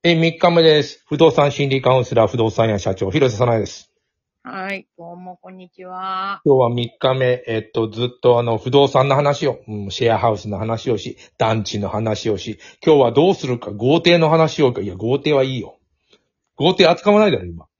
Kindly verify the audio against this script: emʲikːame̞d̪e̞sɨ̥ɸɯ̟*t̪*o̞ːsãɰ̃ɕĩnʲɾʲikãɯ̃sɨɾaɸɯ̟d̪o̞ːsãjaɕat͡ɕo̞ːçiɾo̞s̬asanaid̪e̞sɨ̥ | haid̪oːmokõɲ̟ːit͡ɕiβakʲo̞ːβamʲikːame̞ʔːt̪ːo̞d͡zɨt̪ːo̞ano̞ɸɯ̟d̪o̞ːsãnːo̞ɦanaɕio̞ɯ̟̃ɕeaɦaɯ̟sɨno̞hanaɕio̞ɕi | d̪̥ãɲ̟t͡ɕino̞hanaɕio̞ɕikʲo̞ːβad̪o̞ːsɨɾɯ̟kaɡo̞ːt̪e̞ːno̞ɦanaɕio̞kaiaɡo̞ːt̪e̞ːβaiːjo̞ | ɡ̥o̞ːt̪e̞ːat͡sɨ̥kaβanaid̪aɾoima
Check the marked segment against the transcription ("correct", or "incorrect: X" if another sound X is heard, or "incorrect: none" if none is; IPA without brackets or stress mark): incorrect: d̪